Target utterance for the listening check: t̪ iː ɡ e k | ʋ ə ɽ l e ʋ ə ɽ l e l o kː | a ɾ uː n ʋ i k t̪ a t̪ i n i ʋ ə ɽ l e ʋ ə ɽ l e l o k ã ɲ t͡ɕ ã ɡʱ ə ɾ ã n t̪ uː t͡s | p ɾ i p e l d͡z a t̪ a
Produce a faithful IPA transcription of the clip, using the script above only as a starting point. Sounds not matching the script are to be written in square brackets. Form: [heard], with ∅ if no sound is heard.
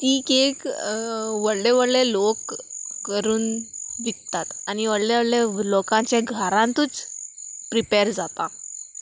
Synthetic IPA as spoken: t̪ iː [k] e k | ʋ ə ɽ l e ʋ ə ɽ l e l o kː | [ə] ɾ uː n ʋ i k t̪ a t̪ [a] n i ʋ ə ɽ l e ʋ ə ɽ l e l o k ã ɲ t͡ɕ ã ɡʱ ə ɾ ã n t̪ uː t͡s | p ɾ i p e [ɾ] d͡z a t̪ a